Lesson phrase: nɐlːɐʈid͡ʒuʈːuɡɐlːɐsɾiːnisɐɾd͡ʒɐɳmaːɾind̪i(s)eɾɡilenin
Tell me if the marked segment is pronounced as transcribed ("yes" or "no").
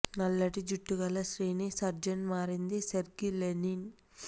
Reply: yes